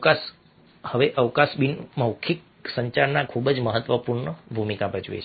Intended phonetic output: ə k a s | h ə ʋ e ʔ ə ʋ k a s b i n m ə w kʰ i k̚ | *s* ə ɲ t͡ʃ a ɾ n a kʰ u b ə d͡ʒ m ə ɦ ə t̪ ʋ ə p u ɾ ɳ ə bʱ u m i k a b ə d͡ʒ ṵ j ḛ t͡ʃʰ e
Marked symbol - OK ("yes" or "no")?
yes